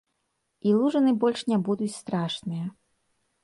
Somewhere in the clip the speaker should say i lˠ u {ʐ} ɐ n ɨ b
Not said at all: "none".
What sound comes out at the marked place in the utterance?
ʐ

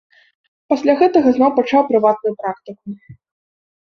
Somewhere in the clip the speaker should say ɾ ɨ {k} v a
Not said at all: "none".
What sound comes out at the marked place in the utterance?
none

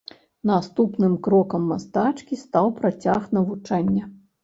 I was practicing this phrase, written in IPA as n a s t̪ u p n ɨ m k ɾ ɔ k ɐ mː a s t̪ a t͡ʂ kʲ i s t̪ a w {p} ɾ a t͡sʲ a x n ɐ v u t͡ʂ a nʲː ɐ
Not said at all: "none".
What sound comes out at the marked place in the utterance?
p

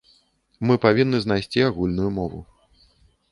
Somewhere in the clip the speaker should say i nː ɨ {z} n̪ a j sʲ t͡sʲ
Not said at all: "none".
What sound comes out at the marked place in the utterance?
z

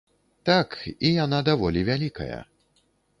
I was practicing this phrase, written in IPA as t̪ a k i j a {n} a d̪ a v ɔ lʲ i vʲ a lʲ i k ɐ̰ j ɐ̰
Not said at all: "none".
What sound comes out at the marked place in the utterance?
n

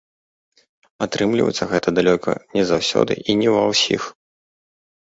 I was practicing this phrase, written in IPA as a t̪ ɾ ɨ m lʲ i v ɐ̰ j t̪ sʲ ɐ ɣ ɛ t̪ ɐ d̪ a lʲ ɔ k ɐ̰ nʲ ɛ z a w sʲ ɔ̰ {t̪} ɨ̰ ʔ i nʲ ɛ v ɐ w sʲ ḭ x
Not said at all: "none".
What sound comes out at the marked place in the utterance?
d̪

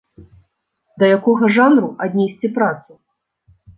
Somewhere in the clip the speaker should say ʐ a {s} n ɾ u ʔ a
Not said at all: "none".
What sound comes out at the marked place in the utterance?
none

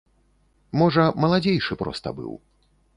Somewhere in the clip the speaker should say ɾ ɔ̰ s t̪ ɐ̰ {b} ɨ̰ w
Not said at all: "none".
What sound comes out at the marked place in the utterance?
b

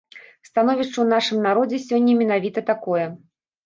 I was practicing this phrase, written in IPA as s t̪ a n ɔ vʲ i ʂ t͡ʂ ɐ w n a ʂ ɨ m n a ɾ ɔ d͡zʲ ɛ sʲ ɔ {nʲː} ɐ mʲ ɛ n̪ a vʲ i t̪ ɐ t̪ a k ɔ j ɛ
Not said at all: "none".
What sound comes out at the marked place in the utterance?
nʲː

